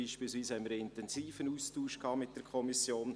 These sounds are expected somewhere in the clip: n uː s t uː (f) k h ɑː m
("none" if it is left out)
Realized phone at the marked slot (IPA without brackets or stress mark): ʃ